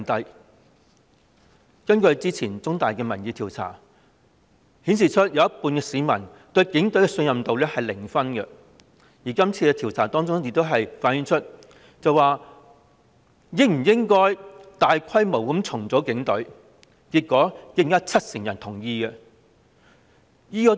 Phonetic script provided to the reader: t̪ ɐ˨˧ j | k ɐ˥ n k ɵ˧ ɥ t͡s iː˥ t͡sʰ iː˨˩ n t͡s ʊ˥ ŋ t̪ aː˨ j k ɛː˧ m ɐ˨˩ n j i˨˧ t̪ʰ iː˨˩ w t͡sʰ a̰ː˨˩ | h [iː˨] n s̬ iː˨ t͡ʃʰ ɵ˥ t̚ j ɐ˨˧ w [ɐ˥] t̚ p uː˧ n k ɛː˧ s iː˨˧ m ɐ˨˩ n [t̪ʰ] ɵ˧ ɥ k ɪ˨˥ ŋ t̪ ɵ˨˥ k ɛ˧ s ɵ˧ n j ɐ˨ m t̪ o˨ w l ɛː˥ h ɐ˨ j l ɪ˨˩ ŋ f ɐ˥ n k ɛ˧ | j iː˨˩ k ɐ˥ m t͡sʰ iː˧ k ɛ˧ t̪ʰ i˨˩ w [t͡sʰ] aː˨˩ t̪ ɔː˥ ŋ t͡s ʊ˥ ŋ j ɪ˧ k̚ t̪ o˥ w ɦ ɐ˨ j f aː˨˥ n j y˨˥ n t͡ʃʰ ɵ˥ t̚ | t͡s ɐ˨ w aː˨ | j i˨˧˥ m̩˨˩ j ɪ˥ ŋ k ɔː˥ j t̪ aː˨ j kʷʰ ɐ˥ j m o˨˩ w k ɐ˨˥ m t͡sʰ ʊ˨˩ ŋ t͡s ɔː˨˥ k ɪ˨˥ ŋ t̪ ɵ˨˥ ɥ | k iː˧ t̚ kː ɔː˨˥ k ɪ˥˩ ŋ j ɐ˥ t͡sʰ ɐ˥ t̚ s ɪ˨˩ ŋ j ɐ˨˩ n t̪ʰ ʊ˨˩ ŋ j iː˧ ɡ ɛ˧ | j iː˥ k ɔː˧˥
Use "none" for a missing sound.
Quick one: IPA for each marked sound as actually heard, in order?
iː˨˥, ɐ˥, t̪, t͡sʰ

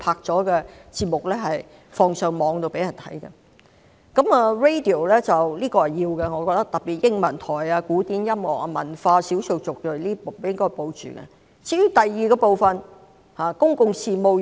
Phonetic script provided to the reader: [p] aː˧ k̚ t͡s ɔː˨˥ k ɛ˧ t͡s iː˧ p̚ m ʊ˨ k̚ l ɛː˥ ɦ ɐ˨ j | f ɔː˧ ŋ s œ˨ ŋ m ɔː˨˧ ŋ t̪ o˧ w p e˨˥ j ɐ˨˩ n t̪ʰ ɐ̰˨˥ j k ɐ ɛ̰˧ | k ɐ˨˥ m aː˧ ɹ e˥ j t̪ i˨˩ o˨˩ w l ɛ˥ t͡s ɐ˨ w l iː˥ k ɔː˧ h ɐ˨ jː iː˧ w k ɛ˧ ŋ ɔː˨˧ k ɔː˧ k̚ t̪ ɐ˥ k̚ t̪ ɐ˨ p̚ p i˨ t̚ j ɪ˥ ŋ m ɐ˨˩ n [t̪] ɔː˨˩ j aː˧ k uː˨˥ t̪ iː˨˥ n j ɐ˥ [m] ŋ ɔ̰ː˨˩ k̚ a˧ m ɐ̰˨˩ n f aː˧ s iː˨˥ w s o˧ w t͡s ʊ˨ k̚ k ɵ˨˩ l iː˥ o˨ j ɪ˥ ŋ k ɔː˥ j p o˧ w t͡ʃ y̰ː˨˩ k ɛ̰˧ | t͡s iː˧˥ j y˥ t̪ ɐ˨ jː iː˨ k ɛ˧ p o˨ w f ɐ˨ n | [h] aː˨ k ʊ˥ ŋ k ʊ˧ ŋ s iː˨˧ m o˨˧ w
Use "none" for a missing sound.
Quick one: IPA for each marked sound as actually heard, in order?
pʰ, t̪ʰ, m, h

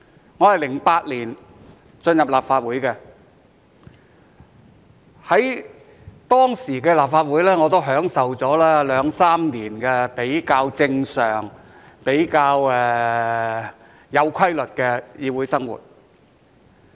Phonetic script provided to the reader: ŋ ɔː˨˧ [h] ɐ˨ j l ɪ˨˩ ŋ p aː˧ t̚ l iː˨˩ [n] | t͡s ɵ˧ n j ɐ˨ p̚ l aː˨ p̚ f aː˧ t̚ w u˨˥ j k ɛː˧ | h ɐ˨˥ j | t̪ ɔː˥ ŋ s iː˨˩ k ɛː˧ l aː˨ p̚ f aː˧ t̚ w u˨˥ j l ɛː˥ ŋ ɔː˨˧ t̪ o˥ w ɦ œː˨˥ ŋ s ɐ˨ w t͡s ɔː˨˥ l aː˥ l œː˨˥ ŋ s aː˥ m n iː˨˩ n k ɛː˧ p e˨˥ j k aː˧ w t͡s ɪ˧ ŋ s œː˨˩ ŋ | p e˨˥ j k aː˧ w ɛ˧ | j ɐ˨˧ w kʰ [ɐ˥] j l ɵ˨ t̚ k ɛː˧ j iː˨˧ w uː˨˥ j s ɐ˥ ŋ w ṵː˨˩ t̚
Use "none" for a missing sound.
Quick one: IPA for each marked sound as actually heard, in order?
h, n, ɐ˥

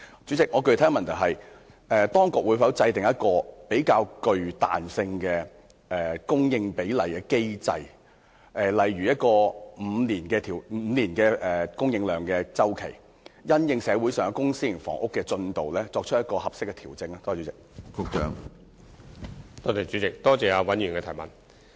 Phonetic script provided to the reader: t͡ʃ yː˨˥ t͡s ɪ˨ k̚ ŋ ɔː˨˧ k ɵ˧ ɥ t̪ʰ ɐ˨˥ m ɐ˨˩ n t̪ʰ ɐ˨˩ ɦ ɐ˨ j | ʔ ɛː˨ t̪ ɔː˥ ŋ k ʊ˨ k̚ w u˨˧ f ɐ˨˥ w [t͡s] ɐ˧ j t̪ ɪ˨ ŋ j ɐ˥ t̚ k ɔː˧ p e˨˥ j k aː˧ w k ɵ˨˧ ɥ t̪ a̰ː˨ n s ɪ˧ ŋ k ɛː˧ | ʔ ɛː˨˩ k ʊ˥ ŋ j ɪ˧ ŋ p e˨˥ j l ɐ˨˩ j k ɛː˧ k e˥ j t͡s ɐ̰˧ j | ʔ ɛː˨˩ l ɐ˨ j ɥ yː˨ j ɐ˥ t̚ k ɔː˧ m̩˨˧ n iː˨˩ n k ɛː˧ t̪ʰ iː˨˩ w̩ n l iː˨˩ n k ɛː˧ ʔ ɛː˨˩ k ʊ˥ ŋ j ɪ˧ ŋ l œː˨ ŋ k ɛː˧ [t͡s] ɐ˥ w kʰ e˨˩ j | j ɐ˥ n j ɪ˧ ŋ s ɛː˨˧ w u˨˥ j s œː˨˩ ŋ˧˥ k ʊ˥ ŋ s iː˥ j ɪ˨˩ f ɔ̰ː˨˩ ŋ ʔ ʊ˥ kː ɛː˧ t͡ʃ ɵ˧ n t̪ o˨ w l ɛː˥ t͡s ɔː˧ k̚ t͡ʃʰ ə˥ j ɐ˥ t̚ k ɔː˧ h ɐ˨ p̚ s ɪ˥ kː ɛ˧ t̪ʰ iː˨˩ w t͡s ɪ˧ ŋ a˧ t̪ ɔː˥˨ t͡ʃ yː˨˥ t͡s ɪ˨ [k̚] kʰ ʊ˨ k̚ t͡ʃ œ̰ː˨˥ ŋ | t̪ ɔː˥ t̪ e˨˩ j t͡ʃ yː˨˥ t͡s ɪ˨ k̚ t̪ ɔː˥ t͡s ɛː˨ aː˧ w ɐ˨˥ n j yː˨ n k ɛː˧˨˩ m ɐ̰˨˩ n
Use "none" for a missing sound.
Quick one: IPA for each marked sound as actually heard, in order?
t͡s, t͡s, k̚

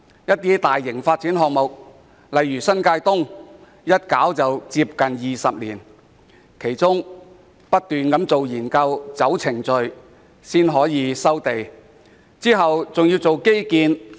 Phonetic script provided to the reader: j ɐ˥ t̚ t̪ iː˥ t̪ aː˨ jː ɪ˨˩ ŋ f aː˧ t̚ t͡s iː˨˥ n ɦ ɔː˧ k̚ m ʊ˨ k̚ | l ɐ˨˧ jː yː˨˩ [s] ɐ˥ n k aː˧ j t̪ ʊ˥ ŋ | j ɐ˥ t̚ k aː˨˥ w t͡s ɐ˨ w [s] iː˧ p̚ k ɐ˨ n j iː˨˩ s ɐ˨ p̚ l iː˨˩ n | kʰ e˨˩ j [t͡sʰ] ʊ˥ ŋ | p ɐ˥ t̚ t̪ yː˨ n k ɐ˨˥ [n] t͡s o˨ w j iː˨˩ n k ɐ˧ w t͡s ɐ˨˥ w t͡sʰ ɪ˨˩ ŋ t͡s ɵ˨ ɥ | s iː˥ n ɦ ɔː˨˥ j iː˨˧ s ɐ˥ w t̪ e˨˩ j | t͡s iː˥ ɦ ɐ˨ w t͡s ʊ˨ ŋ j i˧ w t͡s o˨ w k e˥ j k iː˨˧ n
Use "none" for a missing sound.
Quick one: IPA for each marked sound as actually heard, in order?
s, t͡s, t͡s, m

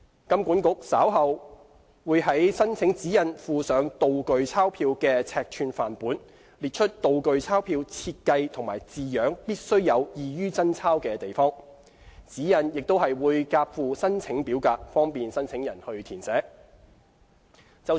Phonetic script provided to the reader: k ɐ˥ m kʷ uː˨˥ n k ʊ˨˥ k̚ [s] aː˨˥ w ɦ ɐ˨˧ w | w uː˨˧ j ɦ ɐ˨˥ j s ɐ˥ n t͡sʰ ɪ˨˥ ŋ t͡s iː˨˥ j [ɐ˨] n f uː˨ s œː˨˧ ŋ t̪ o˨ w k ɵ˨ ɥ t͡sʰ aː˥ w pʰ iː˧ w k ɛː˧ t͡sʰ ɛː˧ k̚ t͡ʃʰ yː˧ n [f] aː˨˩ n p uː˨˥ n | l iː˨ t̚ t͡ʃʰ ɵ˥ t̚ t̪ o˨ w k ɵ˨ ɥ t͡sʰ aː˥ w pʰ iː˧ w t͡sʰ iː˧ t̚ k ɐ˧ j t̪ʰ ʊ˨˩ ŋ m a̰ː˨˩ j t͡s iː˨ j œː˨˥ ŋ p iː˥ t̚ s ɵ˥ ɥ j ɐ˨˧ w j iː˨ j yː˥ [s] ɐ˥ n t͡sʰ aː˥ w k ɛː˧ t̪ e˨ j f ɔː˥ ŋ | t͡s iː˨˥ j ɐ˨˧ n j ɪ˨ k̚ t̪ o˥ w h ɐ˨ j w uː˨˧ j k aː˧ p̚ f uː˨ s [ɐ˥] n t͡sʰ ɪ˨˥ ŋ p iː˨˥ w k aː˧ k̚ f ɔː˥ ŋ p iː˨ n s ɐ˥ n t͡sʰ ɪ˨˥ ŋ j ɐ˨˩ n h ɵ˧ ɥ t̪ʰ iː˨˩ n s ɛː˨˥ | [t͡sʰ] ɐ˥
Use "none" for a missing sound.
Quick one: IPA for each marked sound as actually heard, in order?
s, ɐ˨, f, t͡s, ɐ˥, t͡s

